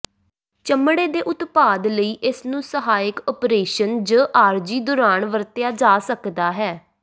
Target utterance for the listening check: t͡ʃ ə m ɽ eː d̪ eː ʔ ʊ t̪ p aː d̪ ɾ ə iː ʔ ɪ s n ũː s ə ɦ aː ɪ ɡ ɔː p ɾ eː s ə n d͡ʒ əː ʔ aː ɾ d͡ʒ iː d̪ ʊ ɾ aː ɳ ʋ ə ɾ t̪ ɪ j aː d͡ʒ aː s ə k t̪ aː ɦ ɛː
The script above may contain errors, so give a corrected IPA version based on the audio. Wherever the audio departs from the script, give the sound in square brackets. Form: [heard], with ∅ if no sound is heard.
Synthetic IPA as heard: t͡ʃ ə m ɽ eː d̪ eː ʔ ʊ t̪ p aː d̪ [l] ə iː ʔ ɪ s n ũː s ə ɦ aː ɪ [k] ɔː p ɾ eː [ʃ] ə n d͡ʒ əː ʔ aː ɾ d͡ʒ iː d̪ ʊ ɾ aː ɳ ʋ ə ɾ t̪ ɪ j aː d͡ʒ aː s ə k [d̪] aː ɦ ɛː